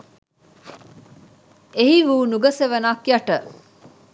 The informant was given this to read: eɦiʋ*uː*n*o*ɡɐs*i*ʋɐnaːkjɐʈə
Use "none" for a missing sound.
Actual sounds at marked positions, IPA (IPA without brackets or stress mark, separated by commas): uː, u, e